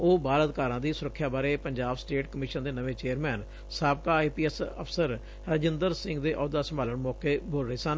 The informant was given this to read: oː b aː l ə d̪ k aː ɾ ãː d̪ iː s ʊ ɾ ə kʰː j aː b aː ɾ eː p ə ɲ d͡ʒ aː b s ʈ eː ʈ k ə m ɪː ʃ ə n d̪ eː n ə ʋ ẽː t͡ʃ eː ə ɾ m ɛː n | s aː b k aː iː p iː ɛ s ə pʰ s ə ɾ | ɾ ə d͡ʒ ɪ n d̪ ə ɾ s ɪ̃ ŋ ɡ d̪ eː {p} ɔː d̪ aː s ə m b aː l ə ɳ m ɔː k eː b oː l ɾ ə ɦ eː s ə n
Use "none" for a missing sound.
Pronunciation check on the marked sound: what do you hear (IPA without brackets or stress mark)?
ʔ